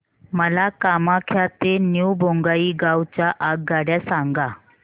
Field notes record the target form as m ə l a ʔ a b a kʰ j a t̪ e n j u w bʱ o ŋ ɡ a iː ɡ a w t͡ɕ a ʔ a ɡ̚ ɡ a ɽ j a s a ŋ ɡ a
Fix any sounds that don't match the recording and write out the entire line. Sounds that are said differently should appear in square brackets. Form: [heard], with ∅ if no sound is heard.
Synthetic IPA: m ə l a [k] a [m] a kʰ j a t̪ e n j u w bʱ o ŋ ɡ a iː ɡ a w t͡ɕ a ʔ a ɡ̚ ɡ a ɽ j a s a ŋ ɡ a